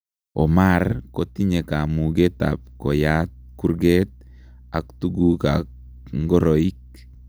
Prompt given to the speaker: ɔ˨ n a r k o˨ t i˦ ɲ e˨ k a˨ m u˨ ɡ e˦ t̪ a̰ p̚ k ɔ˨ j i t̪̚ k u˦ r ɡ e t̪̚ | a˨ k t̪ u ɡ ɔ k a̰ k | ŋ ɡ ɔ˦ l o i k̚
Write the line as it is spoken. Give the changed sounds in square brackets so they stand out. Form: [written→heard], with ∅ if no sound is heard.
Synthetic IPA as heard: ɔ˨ [n→m] a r k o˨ t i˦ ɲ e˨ k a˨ m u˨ ɡ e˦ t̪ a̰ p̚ k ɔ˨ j [i→a] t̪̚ k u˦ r ɡ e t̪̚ | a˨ k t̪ u ɡ [ɔ→u] k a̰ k | ŋ ɡ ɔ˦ [l→ɾ] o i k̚